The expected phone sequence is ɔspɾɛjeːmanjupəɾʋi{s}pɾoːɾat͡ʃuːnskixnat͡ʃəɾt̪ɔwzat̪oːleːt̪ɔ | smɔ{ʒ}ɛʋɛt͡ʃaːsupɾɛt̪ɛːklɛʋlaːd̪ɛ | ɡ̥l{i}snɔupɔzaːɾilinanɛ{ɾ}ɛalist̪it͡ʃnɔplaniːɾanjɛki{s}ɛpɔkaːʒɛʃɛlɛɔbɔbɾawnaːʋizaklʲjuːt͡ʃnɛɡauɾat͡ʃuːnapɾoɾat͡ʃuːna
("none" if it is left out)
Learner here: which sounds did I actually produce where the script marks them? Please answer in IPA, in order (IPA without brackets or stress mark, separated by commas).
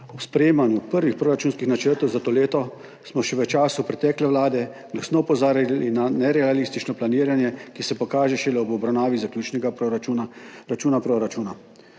x, ʃ, a, ɾ, s